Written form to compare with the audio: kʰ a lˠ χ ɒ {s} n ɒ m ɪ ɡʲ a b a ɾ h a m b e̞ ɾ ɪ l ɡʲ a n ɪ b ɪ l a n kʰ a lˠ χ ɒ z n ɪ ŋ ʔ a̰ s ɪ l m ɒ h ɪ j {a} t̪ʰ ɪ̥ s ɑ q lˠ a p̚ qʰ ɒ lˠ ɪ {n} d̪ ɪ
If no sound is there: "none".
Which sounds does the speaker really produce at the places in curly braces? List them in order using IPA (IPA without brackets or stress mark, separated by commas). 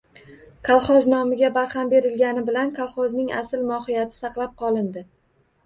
z, a, n